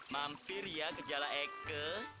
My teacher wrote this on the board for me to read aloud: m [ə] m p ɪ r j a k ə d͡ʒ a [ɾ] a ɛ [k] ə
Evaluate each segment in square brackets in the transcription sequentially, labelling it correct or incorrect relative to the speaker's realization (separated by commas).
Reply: incorrect, incorrect, correct